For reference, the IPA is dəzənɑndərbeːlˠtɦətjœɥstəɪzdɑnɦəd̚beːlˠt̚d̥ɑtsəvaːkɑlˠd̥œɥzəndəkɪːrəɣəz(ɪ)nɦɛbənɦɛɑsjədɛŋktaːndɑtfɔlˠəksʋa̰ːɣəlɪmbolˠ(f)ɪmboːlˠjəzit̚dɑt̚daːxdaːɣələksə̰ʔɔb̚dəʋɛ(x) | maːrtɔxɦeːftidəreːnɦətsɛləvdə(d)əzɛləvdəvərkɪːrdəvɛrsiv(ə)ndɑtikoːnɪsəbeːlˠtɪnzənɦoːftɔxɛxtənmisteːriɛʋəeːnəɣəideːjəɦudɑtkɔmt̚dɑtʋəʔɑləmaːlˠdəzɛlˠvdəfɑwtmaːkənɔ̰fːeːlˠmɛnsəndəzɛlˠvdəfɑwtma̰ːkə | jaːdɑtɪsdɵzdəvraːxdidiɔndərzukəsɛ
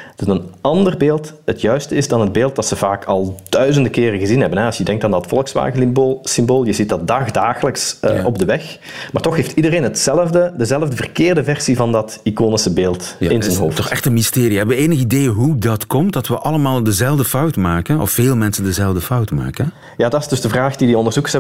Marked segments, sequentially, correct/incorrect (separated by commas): incorrect, incorrect, correct, correct, incorrect